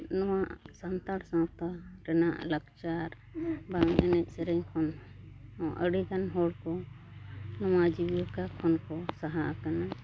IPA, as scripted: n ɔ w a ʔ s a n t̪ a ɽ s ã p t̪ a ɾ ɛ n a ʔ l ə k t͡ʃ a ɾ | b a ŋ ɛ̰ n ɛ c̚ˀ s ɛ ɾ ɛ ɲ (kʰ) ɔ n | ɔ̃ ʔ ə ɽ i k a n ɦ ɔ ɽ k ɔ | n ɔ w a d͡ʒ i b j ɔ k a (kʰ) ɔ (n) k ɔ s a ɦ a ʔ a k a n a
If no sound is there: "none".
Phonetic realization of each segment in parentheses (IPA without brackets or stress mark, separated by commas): kʰ, kʰ, n